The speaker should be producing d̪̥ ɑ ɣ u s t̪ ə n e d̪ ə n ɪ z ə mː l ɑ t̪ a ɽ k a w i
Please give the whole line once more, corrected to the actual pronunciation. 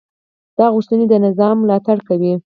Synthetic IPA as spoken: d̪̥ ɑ ɣ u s t̪ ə n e d̪ ə n ɪ z ɑ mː l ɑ t̪ a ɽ k a w i